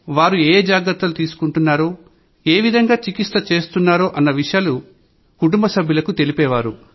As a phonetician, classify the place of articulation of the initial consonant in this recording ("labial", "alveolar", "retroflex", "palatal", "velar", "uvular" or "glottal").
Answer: labial